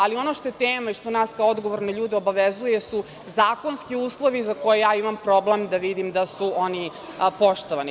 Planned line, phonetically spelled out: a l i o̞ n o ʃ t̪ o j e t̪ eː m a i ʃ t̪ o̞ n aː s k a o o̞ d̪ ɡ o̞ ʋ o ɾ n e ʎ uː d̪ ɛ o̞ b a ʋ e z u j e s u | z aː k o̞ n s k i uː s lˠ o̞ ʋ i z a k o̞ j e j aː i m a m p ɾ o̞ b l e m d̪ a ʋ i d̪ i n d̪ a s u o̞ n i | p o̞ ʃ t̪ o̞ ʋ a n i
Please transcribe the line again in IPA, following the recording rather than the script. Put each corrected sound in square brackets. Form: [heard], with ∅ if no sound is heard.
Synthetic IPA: a l i o̞ n o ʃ t̪ o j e t̪ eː m a i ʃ t̪ o̞ n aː s k a o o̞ d̪ ɡ o̞ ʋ o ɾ n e ʎ uː d̪ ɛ o̞ b a ʋ e z u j e s u | z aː k o̞ n s k i uː s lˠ o̞ ʋ i z a k o̞ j e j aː i m a m p ɾ o̞ b l e m d̪ a ʋ i d̪ i [m] d̪ a s u o̞ n i | p o̞ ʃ t̪ o̞ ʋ a n i